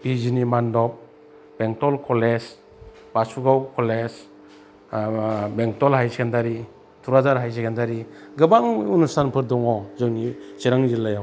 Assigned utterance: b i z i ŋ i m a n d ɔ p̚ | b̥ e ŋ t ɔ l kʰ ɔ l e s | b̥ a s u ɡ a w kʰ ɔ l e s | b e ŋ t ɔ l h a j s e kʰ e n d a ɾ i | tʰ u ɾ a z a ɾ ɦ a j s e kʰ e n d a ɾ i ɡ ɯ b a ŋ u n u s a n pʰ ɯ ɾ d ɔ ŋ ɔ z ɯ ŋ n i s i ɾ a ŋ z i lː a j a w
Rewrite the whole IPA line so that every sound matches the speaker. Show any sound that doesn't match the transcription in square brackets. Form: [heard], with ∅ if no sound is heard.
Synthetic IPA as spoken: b i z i [n] i m a n d ɔ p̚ | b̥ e ŋ t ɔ l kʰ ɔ l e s | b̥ a s u ɡ a w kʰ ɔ l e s | b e ŋ t ɔ l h a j s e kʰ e n d a ɾ i | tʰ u ɾ a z a ɾ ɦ a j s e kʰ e n d a ɾ i ɡ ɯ b a ŋ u n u s a n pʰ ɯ ɾ d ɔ ŋ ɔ z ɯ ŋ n i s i ɾ a ŋ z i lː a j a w